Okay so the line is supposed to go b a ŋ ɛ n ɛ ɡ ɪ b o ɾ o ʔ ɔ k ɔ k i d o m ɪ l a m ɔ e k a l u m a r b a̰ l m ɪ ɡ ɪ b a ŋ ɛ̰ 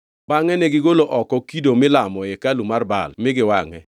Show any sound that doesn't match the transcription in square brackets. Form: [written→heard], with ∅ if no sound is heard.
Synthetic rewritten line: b a ŋ ɛ n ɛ ɡ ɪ [b→ɡ] o [ɾ→l] o ʔ ɔ k ɔ k i d o m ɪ l a m ɔ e k a l u m a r b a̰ l m ɪ ɡ ɪ [b→w] a ŋ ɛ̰